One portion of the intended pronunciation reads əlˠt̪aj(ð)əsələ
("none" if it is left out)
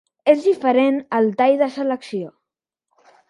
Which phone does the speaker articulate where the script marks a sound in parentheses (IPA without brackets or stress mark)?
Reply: ð